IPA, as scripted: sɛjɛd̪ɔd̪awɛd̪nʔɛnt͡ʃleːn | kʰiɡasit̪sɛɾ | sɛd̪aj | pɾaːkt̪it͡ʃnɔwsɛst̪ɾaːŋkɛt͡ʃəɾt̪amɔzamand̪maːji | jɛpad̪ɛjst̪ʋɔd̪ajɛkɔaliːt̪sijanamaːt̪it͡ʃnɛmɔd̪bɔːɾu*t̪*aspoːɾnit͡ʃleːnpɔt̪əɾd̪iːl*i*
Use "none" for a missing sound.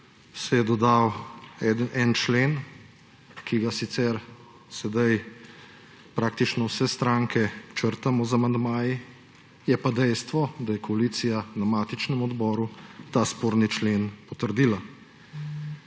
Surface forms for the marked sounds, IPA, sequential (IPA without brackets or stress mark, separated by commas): t̪, a